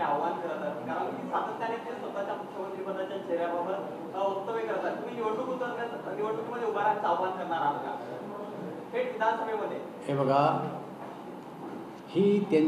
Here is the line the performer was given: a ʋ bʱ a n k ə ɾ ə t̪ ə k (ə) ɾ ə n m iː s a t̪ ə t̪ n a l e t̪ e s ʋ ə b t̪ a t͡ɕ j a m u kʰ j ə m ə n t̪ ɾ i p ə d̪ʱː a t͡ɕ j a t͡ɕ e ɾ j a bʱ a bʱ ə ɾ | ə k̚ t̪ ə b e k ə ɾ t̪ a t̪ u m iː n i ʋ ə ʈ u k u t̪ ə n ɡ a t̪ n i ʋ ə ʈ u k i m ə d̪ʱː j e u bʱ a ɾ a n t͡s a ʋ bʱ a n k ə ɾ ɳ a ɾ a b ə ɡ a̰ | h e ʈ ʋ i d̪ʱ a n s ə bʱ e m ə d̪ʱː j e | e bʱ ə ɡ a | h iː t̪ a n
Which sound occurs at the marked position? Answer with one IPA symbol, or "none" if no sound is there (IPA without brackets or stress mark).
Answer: a